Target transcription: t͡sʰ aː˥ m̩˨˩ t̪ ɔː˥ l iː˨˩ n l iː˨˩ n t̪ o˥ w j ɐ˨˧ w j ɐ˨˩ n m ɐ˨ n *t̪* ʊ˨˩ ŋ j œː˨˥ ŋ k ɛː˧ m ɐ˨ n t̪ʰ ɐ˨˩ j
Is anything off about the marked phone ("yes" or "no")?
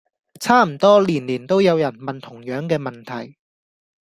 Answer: yes